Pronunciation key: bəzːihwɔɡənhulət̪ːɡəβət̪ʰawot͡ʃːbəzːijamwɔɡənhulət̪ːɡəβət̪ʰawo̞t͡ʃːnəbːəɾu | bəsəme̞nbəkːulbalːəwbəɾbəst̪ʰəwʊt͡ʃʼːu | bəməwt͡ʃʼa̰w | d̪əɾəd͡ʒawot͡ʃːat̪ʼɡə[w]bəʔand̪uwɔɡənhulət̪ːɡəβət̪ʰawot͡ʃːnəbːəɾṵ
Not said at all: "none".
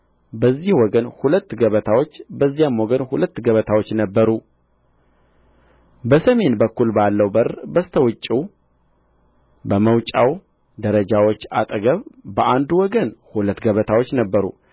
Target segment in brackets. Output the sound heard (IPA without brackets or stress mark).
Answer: β